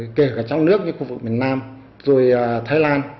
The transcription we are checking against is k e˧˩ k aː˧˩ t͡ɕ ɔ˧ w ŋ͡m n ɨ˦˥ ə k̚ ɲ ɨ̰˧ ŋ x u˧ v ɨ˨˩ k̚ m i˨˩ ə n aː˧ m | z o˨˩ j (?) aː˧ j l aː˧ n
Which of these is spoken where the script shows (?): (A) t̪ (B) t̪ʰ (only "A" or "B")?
B